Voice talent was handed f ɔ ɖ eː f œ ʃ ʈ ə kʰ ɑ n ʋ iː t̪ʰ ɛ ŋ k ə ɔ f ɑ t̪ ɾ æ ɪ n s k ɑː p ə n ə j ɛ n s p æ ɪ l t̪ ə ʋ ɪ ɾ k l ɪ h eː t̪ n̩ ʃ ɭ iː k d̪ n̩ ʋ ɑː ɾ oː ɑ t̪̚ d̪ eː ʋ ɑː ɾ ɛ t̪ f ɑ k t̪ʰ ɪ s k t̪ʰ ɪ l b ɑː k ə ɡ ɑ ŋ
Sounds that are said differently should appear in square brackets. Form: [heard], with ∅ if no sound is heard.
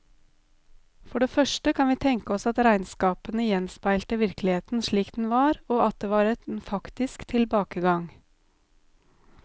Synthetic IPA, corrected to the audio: f ɔ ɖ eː f œ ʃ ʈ ə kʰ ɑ n ʋ iː t̪ʰ ɛ ŋ k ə ɔ [s] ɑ t̪ ɾ æ ɪ n s k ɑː p ə n ə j ɛ n s p æ ɪ l t̪ ə ʋ ɪ ɾ k l ɪ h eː t̪ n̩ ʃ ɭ iː k d̪ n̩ ʋ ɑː ɾ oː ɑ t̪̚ d̪ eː ʋ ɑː ɾ ɛ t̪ f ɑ k [t̪] ɪ s k t̪ʰ ɪ l b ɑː k ə ɡ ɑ ŋ

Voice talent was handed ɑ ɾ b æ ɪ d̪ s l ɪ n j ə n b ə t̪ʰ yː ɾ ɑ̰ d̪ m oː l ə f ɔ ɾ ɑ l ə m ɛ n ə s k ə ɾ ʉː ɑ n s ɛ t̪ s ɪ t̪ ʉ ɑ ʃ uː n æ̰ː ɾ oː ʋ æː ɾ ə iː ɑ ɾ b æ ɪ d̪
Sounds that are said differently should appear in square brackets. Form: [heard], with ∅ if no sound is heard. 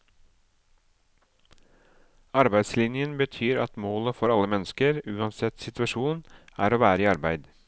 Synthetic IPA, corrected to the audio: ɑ ɾ b æ ɪ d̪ s l ɪ n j ə n b ə t̪ʰ yː ɾ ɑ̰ [t̪] m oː l ə f ɔ ɾ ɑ l ə m ɛ n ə s k ə ɾ ʉː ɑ n s ɛ t̪ s ɪ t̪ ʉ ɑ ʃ uː n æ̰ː ɾ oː ʋ æː ɾ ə iː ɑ ɾ b æ ɪ d̪

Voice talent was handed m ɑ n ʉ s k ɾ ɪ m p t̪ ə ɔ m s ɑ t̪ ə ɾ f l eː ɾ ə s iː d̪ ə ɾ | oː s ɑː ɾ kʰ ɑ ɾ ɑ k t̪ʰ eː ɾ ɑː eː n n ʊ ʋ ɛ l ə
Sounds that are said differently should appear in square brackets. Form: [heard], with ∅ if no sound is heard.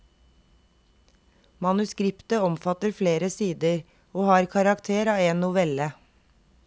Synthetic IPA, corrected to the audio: m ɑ n ʉ s k ɾ ɪ [∅] p t̪ ə ɔ m [f] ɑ t̪ ə ɾ f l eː ɾ ə s iː d̪ ə ɾ | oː [h] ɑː ɾ kʰ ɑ ɾ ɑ k t̪ʰ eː ɾ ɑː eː n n ʊ ʋ ɛ l ə

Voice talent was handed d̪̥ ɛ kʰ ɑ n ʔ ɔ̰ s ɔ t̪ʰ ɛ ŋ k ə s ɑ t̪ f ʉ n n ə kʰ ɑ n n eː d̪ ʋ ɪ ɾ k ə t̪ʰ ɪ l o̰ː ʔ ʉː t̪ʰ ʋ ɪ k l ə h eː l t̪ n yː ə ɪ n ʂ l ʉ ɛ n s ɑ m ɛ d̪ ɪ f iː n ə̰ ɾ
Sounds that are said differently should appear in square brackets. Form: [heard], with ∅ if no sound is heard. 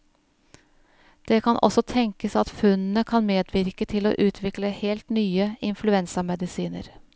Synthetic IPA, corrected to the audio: d̪̥ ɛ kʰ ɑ n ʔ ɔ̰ s ɔ t̪ʰ ɛ ŋ k ə s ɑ t̪ f ʉ n n ə kʰ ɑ n [m] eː d̪ ʋ ɪ ɾ k ə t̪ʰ ɪ l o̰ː ʔ ʉː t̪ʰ ʋ ɪ k l ə h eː l t̪ n yː ə ɪ n [f] l ʉ ɛ n s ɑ m ɛ d̪ ɪ [s] iː n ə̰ ɾ

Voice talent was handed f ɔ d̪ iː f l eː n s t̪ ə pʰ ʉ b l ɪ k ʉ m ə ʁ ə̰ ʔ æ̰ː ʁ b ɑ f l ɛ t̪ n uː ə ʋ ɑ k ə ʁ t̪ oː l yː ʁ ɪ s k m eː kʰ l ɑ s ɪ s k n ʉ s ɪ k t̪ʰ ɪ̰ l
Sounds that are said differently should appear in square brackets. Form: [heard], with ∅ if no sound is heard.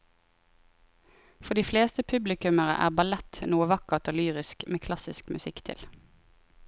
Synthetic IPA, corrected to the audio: f ɔ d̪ iː f l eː [∅] s t̪ ə pʰ ʉ b l ɪ k ʉ m ə ʁ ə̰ ʔ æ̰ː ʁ b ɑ [∅] l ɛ t̪ n uː ə ʋ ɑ k ə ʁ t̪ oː l yː ʁ ɪ s k m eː kʰ l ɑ s ɪ s k [m] ʉ s ɪ k t̪ʰ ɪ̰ l

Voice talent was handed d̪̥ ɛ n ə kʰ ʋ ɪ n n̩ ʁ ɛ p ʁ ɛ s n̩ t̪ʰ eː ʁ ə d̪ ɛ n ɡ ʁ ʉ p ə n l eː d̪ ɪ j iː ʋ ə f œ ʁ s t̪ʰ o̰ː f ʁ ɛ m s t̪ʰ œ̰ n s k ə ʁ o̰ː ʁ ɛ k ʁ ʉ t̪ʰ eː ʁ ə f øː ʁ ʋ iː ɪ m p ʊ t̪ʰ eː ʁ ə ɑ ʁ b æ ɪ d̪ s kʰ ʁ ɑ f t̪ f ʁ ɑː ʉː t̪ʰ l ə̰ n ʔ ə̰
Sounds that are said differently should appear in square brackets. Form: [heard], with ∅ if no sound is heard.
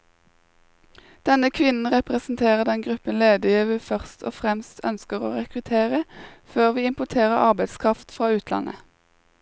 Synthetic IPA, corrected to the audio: d̪̥ ɛ n ə kʰ ʋ ɪ n n̩ ʁ ɛ p ʁ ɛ s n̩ t̪ʰ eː ʁ ə d̪ ɛ n ɡ ʁ ʉ p ə n l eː d̪ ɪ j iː ʋ ə f œ ʁ s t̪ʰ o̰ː f ʁ ɛ m s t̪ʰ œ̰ n s k ə ʁ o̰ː ʁ ɛ k ʁ ʉ t̪ʰ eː ʁ ə f øː ʁ ʋ iː ɪ m p ʊ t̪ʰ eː ʁ ə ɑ ʁ b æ ɪ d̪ s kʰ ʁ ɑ f t̪ f ʁ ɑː ʉː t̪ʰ l [ɑ̰] n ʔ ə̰

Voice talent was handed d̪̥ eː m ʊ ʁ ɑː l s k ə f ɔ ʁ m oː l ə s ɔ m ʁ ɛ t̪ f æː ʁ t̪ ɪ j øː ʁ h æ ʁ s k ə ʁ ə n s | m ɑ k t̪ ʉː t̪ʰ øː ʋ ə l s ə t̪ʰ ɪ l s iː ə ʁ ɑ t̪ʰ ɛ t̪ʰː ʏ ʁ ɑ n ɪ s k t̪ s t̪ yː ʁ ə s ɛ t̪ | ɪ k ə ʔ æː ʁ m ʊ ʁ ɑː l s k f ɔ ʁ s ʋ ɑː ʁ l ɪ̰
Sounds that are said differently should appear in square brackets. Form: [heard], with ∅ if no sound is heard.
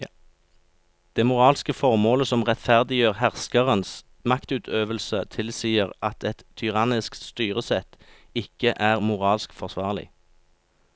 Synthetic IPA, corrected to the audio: d̪̥ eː m ʊ ʁ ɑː l s k ə f ɔ ʁ m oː l ə s ɔ m ʁ ɛ t̪ f [æ] ʁ [d̪] ɪ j øː ʁ h æ ʁ s k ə ʁ ə n s | m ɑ k t̪ ʉː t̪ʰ øː ʋ ə l s ə t̪ʰ ɪ l s iː ə ʁ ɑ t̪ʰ ɛ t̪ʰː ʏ ʁ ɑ n ɪ s k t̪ s t̪ yː ʁ ə s ɛ t̪ | ɪ k ə ʔ æː ʁ m ʊ ʁ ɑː l s k f ɔ ʁ s ʋ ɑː ʁ l ɪ̰

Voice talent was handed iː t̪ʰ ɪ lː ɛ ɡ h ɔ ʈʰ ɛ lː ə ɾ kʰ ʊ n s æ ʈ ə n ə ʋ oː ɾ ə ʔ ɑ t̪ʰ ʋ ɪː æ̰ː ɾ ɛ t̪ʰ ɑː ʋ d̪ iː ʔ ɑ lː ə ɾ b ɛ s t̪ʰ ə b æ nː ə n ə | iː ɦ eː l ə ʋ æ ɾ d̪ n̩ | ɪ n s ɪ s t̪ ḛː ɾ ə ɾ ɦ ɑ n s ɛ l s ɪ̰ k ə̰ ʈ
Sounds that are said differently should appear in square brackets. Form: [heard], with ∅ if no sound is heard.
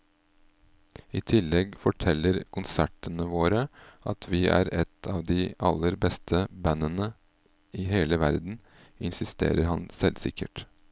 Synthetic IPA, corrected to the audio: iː t̪ʰ ɪ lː ɛ ɡ [f] ɔ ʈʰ ɛ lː ə ɾ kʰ ʊ n s æ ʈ ə n ə ʋ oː ɾ ə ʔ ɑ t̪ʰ ʋ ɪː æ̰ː ɾ ɛ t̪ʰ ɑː ʋ d̪ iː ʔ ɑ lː ə ɾ b ɛ s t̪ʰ ə b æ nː ə n ə | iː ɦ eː l ə ʋ æ ɾ d̪ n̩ | ɪ n s ɪ s t̪ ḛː ɾ ə ɾ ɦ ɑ n s ɛ l s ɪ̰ k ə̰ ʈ

